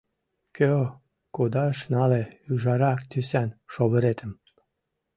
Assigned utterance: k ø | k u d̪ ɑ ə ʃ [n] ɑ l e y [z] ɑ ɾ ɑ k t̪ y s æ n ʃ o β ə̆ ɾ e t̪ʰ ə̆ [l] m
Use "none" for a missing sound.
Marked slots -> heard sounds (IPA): n, ʒ, none

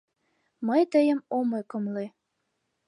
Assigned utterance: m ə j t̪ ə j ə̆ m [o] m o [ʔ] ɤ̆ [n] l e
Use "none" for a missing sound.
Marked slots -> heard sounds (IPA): o, k, m

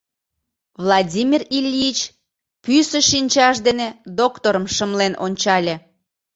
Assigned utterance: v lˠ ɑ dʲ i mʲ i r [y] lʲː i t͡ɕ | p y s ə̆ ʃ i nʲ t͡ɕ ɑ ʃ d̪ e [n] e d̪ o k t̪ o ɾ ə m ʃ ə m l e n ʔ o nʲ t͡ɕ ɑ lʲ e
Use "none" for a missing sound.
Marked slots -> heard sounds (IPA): i, n

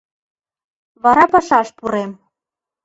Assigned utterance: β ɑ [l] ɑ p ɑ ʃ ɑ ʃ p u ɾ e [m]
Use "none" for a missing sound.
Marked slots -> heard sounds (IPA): ɾ, m

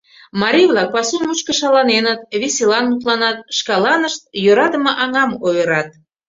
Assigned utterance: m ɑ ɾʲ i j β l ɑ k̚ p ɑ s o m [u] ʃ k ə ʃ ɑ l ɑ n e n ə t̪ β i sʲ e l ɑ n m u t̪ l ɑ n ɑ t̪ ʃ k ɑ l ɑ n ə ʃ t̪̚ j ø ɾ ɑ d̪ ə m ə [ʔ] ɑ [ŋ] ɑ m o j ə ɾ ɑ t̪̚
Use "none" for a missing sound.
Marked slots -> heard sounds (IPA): u, ʔ, ŋ

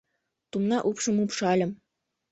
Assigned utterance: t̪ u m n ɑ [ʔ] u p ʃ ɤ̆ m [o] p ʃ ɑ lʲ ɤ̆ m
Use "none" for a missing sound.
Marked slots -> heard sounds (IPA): ʔ, u

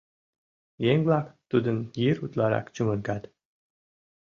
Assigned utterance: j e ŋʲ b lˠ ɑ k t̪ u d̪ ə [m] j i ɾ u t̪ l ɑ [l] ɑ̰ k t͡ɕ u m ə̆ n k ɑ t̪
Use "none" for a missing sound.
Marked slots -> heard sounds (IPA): n, ɾ

